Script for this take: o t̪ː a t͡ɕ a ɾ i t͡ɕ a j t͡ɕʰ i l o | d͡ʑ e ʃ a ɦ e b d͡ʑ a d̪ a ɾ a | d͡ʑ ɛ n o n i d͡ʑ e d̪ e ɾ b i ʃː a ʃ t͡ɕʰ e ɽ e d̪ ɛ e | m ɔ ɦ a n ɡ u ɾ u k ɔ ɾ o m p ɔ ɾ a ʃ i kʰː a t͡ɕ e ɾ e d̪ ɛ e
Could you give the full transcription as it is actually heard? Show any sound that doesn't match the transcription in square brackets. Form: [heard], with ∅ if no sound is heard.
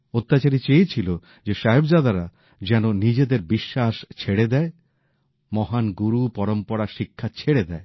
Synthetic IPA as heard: o t̪ː a t͡ɕ a ɾ i t͡ɕ [e] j t͡ɕʰ i l o | d͡ʑ e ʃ a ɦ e b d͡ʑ a d̪ a ɾ a | d͡ʑ ɛ n o n i d͡ʑ e d̪ e ɾ b i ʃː a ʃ t͡ɕʰ e ɽ e d̪ ɛ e | m ɔ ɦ a n ɡ u ɾ u [p] ɔ ɾ o m p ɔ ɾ a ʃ i kʰː a [t͡ɕʰ] e [ɽ] e d̪ ɛ e